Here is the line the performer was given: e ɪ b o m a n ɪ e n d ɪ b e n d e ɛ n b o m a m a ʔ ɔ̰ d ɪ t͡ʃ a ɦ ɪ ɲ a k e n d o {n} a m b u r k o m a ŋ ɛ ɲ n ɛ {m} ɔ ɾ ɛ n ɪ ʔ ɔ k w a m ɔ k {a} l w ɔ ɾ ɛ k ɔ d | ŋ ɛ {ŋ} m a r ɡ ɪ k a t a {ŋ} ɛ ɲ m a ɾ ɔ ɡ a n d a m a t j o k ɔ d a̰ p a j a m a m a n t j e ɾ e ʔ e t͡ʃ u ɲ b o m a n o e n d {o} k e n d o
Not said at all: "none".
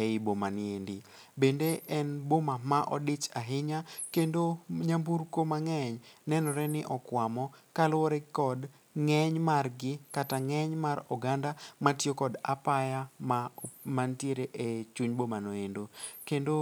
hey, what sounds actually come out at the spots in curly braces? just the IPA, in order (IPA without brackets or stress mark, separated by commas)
ɲ, n, a, ɲ, ŋ, o